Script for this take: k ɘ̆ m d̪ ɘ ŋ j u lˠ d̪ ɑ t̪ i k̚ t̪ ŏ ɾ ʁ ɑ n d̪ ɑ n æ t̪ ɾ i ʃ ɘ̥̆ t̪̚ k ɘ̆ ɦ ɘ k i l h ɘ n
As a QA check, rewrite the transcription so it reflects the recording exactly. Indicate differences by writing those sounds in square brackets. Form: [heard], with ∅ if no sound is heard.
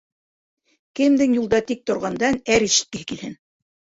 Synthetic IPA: k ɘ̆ m d̪ ɘ ŋ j u lˠ d̪ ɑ t̪ i k̚ t̪ ŏ ɾ ʁ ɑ n d̪ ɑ n æ [∅] ɾ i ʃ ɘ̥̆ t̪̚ k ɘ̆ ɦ ɘ k i l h ɘ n